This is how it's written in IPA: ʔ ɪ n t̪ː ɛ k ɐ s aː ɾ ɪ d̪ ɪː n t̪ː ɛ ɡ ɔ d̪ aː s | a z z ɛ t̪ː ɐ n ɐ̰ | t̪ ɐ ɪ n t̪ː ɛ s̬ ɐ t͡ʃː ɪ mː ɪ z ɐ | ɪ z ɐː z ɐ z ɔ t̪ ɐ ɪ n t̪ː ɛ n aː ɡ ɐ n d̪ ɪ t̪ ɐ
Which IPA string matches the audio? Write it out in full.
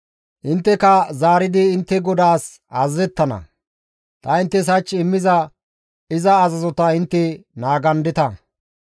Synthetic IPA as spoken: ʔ ɪ n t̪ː ɛ k ɐ z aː ɾ ɪ d̪ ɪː n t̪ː ɛ ɡ ɔ d̪ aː s | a z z ɛ t̪ː ɐ n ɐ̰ | t̪ ɐ ɪ n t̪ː ɛ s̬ ɐ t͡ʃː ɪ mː ɪ z ɐ | ɪ z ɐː z ɐ z ɔ t̪ ɐ ɪ n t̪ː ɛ n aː ɡ ɐ n d̪ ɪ t̪ ɐ